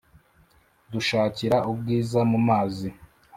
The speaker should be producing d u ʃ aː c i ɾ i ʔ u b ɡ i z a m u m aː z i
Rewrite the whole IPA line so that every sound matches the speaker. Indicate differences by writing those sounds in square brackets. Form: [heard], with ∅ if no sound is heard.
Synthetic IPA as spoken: d u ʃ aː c i ɾ [a] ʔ u b ɡ [iː] z a m u m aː z i